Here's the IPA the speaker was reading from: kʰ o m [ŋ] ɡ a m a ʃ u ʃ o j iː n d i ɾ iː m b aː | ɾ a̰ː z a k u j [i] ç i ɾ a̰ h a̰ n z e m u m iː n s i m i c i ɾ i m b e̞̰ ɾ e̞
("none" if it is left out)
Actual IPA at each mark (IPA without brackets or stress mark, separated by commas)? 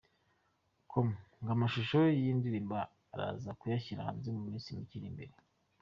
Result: ŋ, a